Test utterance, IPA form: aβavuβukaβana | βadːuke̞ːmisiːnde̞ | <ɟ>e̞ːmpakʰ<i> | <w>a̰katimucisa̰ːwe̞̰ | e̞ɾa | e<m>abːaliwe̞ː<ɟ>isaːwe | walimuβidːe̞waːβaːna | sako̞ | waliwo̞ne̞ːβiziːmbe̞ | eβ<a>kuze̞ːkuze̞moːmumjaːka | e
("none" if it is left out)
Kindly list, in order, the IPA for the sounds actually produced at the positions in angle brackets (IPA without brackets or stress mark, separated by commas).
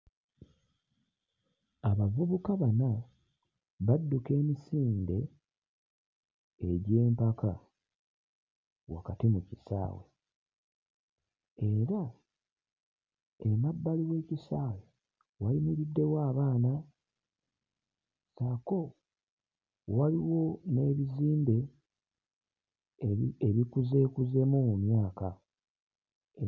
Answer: ɟ, a, w, m, c, i